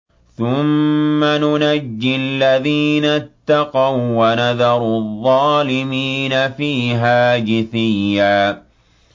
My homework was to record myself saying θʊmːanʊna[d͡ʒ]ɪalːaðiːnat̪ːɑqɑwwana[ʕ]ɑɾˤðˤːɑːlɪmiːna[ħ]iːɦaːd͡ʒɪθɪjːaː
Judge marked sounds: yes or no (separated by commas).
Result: no, no, no